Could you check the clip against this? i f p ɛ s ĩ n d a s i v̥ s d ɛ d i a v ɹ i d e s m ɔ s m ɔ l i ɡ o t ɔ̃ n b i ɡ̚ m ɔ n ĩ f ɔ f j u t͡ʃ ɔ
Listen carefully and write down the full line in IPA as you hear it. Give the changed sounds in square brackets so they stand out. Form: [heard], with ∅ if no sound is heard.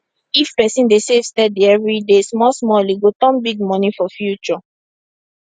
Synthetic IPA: i f p ɛ s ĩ n d [e] s [e] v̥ s [t] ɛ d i [ɛ] v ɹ i d e s m ɔ s m ɔ l i ɡ o t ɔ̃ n b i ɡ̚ m ɔ n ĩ f ɔ f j u t͡ʃ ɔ